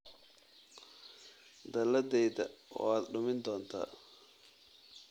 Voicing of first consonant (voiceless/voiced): voiced